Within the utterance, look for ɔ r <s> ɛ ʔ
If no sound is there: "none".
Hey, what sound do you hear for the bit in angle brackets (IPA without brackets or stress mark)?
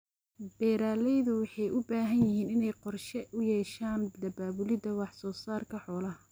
ʃ